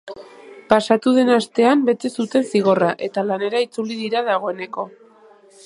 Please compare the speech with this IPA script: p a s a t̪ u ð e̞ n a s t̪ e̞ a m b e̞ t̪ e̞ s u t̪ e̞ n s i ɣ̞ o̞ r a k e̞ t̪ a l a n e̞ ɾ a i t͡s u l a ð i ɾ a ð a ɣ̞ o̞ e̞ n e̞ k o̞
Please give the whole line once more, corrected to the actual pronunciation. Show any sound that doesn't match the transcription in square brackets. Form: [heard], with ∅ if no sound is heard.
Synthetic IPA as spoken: p a s a t̪ u ð e̞ n a s t̪ e̞ a m b e̞ t̪ e̞ s u t̪ e̞ n s i ɣ̞ o̞ r a [ʔ] e̞ t̪ a l a n e̞ ɾ a i t͡s u l [i] ð i ɾ a ð a ɣ̞ o̞ e̞ n e̞ k o̞